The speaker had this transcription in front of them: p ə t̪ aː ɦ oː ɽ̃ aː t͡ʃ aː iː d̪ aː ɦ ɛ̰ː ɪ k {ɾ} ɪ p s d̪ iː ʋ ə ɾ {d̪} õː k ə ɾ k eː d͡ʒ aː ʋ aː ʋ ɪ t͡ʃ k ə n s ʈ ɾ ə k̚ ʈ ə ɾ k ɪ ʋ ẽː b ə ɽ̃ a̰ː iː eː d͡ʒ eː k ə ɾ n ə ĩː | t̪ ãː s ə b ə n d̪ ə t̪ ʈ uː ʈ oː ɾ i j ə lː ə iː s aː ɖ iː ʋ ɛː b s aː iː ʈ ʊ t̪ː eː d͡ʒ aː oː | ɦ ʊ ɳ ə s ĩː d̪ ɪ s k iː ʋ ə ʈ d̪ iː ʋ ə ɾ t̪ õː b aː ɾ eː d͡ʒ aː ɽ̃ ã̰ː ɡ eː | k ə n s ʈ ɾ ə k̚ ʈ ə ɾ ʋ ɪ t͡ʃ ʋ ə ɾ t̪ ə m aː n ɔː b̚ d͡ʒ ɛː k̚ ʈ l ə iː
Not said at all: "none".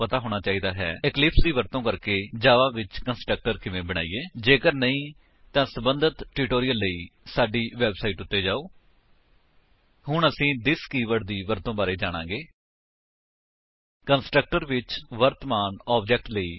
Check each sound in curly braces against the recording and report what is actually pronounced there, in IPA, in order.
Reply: l, t̪

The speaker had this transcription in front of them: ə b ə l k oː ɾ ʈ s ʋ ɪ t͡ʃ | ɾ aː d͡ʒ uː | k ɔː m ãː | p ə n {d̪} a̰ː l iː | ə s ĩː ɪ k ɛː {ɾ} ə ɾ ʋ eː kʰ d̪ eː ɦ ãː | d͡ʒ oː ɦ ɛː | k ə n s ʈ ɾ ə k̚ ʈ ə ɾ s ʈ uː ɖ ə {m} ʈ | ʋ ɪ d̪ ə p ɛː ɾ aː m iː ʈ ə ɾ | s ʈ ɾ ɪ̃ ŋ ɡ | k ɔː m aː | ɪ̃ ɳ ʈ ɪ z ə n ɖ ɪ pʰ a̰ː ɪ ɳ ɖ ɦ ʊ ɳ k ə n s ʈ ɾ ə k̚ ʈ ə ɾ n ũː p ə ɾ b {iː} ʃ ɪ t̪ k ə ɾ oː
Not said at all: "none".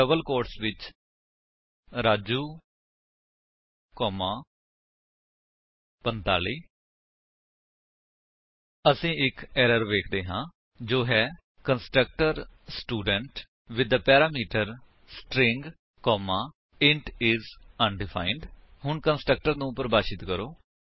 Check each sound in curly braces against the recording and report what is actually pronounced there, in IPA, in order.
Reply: t̪, ɾ, ɳ, aː

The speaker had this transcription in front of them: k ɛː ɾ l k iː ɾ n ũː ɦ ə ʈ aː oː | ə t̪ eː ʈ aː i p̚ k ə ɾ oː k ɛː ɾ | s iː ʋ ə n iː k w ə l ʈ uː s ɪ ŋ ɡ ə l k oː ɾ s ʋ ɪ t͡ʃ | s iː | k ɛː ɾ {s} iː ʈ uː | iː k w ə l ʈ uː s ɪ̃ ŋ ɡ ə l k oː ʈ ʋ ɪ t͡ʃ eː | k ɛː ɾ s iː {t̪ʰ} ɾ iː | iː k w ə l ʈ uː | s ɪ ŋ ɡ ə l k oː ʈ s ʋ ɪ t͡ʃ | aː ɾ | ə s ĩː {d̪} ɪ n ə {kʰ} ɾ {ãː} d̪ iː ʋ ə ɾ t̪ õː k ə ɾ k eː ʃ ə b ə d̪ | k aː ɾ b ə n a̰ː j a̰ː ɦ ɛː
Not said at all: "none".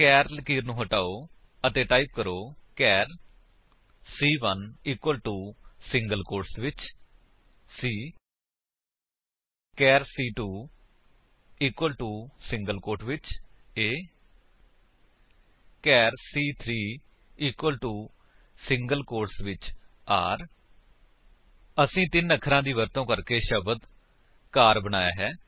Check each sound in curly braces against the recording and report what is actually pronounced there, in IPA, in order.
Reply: s, t̪ʰ, t̪, kʰ, ãː

